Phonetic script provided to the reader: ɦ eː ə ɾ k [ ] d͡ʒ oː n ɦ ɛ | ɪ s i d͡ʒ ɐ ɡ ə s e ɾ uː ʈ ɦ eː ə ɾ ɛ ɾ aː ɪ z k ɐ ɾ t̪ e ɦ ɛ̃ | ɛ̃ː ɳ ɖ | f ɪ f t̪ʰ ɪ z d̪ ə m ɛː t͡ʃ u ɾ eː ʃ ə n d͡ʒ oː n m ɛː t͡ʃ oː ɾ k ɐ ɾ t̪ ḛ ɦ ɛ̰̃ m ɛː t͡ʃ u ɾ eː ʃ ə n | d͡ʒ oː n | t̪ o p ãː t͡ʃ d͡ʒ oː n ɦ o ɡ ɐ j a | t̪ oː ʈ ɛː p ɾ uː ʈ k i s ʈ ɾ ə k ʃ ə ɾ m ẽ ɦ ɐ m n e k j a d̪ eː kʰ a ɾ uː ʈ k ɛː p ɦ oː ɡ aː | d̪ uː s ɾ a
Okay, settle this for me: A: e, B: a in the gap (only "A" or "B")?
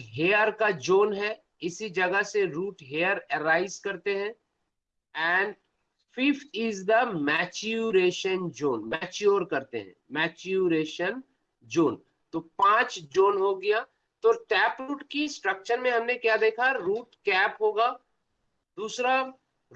B